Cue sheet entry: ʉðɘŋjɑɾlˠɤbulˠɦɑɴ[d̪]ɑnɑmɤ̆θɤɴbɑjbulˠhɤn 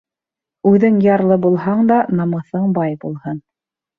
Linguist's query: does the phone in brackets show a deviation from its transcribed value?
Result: no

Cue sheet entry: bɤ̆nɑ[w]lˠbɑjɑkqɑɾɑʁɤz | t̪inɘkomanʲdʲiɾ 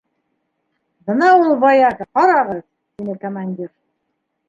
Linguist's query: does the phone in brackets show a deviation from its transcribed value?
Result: yes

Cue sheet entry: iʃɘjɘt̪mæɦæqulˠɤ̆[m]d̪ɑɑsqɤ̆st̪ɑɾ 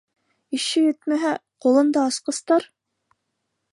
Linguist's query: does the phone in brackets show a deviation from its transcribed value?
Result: yes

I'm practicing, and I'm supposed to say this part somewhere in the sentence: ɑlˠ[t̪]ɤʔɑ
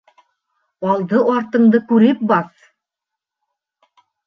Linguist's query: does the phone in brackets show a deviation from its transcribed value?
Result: yes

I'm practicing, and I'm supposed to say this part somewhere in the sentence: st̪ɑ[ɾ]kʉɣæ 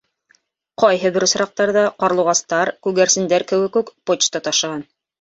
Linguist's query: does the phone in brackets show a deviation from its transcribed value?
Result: no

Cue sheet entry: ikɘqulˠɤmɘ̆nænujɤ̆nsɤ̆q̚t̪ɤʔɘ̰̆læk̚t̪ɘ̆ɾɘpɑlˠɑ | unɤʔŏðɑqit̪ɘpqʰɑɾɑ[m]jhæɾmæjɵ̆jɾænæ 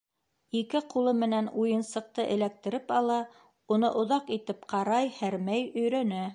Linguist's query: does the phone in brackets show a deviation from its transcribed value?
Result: yes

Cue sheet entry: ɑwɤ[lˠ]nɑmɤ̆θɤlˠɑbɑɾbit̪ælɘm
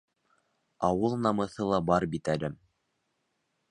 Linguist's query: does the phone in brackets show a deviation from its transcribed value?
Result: no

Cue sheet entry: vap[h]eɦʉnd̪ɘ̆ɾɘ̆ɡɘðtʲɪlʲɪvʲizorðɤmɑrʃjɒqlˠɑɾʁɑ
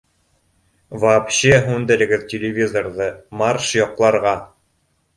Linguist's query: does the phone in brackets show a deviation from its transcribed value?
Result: yes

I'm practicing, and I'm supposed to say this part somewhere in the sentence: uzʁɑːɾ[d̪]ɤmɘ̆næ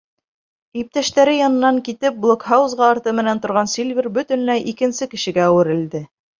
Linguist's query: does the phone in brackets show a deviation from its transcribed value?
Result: yes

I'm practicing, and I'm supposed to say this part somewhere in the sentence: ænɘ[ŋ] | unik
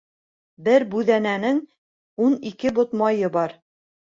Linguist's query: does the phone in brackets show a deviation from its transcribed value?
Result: no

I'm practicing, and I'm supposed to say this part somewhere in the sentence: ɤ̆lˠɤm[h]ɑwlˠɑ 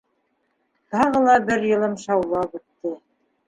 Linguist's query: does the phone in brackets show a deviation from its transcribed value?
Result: yes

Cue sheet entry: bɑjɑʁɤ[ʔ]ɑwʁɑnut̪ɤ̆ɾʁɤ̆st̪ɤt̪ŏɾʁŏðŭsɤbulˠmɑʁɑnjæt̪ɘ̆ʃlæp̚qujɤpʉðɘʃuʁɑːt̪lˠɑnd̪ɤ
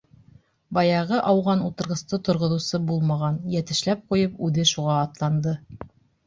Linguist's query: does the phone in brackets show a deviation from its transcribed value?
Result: no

